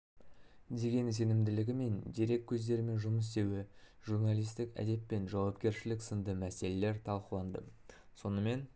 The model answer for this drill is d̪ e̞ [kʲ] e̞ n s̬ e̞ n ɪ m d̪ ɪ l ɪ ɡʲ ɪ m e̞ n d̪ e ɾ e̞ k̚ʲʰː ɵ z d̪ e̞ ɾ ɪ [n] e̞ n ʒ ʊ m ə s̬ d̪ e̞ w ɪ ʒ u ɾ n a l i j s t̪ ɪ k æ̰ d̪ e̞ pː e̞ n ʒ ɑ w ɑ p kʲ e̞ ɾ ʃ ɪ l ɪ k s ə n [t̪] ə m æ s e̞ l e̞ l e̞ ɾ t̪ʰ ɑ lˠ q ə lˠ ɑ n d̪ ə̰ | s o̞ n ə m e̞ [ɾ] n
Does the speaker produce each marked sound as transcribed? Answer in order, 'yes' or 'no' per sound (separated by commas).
no, no, no, no